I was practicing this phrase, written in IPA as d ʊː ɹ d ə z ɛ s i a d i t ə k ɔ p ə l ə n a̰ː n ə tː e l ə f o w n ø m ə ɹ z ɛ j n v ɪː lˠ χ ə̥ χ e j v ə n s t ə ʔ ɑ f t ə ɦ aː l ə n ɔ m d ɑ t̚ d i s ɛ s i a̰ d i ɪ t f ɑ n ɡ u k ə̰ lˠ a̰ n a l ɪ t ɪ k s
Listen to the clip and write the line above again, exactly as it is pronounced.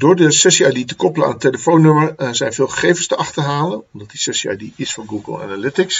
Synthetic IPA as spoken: d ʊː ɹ d ə s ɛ s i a d i t ə k ɔ p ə l ə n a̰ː n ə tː e l ə f o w n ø m ə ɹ z ɛ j n v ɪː lˠ χ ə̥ χ e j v ə n s t ə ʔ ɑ χ t ə ɦ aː l ə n ɔ m d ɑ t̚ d i s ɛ s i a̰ d i ɪ s f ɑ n ɡ u ɡ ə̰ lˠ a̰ n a l ɪ t ɪ k s